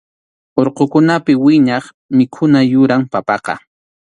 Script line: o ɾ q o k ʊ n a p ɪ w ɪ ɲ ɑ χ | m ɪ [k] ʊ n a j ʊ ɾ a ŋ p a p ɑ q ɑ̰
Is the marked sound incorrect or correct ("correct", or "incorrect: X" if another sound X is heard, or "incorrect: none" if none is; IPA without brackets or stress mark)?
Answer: incorrect: kʰ